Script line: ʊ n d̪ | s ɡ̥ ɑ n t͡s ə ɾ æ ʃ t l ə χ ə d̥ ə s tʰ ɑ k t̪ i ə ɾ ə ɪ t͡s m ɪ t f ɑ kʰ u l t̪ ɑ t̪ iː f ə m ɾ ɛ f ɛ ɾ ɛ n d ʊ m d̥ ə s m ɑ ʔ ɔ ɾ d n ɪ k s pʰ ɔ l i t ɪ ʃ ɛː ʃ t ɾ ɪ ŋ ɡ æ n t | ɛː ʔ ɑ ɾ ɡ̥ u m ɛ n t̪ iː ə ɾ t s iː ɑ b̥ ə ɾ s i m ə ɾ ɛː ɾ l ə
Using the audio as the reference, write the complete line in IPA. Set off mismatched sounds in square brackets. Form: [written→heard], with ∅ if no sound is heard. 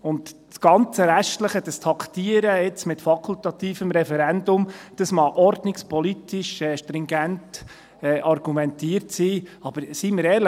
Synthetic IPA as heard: ʊ n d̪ | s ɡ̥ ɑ n t͡s ə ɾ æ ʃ t l ə χ ə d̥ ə s tʰ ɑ k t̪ i ə ɾ ə ɪ t͡s m ɪ t f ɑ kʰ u l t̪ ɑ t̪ iː f ə m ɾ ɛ f ɛ ɾ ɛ n d ʊ m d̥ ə s m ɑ ʔ ɔ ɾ d n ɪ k s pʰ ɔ l i t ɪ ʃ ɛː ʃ t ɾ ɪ ŋ ɡ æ n t | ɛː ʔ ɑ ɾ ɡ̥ u m ɛ n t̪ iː ə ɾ t s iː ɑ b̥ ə ɾ s i m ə ɾ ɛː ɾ l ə